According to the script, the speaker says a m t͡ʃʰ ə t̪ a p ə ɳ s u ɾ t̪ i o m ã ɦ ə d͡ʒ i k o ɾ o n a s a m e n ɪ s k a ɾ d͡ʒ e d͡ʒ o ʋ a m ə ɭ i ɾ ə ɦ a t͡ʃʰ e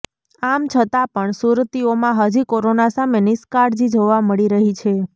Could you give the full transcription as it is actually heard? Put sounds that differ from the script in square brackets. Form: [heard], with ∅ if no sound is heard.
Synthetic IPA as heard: a m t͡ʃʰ ə t̪ a p ə ɳ s u ɾ t̪ i o m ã ɦ ə d͡ʒ i k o ɾ o n a s a m e n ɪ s k a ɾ d͡ʒ [i] d͡ʒ o ʋ a m ə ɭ i ɾ ə ɦ [i] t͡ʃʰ e